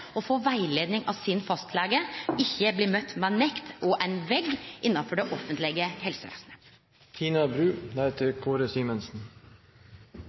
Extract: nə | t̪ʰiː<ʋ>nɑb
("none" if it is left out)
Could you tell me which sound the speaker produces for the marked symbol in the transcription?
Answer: none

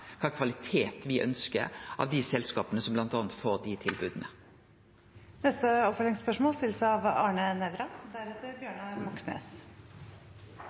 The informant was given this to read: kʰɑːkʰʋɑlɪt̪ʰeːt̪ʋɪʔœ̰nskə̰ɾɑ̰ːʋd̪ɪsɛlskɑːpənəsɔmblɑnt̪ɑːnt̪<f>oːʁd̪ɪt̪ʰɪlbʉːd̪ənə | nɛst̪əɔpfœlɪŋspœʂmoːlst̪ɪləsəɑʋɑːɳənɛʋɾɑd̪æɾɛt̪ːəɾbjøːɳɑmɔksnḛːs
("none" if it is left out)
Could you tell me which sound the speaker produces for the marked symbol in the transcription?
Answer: f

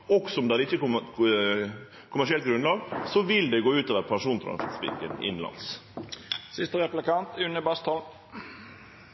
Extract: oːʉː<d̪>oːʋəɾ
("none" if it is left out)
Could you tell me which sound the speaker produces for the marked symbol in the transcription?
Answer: t̪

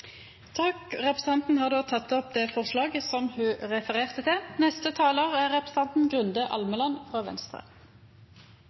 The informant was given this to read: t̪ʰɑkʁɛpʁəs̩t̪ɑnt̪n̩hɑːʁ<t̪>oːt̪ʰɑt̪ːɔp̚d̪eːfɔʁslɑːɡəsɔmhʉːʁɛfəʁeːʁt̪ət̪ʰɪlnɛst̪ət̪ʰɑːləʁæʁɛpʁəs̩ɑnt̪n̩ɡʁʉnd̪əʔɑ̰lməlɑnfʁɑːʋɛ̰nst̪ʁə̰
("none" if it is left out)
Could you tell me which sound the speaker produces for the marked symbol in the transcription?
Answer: d̪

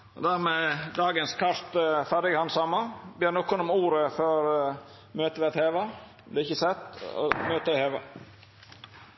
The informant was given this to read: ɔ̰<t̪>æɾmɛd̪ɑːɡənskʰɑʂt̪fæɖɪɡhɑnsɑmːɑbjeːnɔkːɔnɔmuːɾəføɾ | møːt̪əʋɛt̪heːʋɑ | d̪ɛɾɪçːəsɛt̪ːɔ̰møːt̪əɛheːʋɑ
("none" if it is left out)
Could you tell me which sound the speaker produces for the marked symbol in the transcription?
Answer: d̪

